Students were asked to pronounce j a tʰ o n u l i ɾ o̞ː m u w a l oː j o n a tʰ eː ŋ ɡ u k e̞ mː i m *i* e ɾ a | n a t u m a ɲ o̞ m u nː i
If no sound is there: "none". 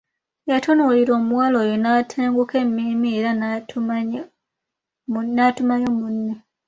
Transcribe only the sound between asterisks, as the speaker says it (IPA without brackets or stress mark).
i